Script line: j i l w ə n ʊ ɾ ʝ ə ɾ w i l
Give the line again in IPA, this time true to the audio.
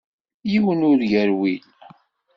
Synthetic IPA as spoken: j i w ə n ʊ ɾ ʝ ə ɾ w i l